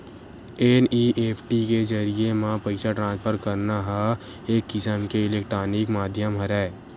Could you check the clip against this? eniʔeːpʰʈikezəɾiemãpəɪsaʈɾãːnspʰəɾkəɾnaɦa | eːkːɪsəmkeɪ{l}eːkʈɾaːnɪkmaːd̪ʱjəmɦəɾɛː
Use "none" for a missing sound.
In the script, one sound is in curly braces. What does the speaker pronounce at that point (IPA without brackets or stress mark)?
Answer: l